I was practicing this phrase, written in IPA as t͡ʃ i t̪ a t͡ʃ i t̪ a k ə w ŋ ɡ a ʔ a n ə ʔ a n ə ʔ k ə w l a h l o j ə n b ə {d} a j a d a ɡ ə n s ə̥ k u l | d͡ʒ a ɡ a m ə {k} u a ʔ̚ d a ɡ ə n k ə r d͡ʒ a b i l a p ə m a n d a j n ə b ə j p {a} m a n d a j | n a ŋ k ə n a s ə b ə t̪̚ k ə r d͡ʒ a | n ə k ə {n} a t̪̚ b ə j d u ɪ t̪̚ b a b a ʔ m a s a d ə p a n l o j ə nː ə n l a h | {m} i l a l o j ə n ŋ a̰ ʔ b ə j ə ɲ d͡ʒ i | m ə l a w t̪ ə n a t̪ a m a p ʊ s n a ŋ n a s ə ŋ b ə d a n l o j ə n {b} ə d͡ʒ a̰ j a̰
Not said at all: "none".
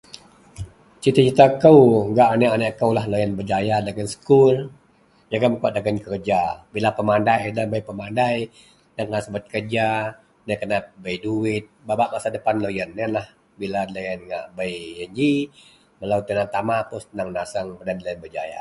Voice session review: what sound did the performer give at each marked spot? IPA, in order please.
d͡ʒ, k, ə, n, b, b

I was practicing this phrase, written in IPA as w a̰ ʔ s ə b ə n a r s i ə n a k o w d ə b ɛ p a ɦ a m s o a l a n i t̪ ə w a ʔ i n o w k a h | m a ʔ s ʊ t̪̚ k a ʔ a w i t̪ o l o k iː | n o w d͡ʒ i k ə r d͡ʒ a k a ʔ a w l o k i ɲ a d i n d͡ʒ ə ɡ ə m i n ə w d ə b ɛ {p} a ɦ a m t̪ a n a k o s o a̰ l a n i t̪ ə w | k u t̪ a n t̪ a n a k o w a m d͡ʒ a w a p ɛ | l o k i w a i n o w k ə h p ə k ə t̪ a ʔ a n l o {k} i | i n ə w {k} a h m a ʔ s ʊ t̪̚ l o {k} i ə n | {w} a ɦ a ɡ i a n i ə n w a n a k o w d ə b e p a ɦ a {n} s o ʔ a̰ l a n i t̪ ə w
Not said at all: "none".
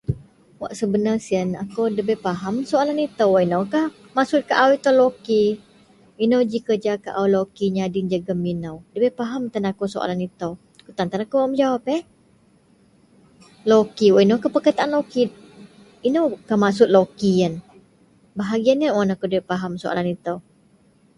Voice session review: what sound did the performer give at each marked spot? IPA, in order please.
p, k, k, k, b, m

